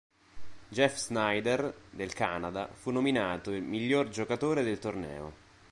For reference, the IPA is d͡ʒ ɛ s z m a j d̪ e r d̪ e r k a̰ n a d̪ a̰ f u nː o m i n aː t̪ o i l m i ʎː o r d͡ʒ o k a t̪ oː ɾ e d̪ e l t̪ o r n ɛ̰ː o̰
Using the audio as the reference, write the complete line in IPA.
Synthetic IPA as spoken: d͡ʒ ɛ f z n a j d̪ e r d̪ e l k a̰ n a d̪ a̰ f u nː o m i n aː t̪ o i l m i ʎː o r d͡ʒ o k a t̪ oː ɾ e d̪ e l t̪ o r n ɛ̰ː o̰